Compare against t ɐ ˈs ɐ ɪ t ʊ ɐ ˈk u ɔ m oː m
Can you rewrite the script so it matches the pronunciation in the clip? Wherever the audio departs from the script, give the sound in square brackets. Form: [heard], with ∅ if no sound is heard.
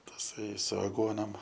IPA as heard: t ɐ ˈs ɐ ɪ [s] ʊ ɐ [ˈɡ] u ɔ [n] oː m